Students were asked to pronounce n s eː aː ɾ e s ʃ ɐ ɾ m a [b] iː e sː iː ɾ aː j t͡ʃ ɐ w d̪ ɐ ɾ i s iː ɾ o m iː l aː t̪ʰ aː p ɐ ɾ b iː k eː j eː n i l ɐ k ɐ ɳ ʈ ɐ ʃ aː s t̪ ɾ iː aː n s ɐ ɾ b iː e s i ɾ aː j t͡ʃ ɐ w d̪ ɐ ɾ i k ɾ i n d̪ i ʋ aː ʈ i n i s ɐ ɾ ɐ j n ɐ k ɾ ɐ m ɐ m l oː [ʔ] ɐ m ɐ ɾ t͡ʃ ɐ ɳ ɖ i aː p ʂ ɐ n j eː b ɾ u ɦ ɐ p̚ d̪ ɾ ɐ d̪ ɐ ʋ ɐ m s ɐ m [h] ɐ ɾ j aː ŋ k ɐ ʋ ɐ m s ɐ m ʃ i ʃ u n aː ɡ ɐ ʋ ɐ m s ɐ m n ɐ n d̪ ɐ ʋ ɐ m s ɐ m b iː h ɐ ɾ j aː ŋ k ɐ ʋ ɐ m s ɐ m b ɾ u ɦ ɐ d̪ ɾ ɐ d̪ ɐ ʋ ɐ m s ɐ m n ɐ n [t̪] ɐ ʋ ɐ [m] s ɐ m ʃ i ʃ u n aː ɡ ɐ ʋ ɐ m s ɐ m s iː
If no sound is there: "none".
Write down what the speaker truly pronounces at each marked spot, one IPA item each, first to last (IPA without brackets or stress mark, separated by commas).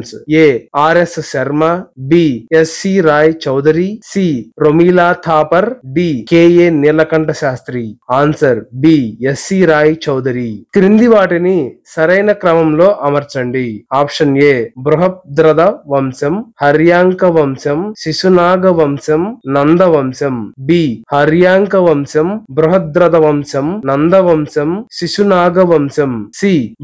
b, ʔ, h, d̪, m